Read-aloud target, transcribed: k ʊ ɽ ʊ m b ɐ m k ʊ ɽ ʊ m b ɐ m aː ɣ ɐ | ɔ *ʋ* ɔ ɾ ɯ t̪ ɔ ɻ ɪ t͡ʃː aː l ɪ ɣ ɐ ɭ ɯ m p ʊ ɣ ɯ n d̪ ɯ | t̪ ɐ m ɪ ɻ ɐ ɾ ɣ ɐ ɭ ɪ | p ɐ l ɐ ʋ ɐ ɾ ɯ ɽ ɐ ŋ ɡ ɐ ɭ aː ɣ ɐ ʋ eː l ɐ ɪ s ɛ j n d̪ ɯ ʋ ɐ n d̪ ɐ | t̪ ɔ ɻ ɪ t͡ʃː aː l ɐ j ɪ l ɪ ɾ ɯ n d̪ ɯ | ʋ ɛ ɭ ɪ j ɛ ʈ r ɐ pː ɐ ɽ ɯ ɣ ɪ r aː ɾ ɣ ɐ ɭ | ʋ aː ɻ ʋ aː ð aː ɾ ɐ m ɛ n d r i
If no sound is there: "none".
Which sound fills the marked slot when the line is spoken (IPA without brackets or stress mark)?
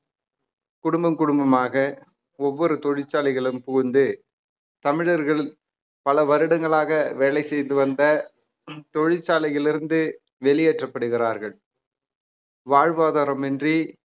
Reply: ʋː